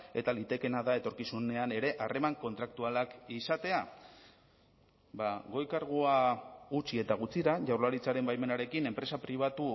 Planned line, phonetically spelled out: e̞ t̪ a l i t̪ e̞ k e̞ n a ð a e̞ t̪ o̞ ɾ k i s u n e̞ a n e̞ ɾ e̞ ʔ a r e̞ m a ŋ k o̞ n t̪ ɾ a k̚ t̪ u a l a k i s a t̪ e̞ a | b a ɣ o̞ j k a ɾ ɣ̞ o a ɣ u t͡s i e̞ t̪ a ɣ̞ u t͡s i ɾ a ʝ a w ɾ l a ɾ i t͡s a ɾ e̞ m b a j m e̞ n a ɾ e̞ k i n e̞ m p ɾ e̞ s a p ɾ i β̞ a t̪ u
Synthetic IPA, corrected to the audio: e̞ t̪ a l i t̪ e̞ k e̞ n a ð a e̞ t̪ o̞ ɾ k i s u n e̞ a n e̞ ɾ e̞ ʔ a r e̞ m a ŋ k o̞ n t̪ ɾ a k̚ t̪ u a l a k i s a t̪ e̞ a | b a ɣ o̞ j k a ɾ ɣ̞ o a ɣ u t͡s i e̞ t̪ a ɣ̞ u t͡s i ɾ a ʝ a w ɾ l a ɾ i t͡s a ɾ e̞ m b a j m e̞ n a ɾ e̞ k i n e̞ m p ɾ e̞ s a p ɾ i β̞ a t̪ u